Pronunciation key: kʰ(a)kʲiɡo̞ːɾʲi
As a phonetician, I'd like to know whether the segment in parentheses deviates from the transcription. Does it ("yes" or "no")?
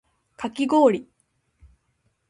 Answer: no